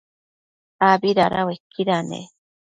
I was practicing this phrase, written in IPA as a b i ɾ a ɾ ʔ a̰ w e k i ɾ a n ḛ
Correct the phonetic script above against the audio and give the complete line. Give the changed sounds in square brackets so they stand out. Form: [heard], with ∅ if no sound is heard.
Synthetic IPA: a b i ɾ a ɾ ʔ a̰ w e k i ɾ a n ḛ